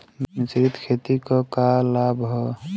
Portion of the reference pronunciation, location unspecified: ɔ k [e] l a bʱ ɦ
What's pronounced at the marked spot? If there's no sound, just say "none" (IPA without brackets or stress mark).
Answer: a